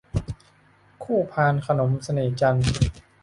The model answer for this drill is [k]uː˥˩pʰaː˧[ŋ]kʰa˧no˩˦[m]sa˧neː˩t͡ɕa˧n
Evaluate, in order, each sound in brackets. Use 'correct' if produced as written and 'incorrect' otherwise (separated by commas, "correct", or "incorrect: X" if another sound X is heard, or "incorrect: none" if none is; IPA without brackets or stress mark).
incorrect: kʰ, incorrect: n, correct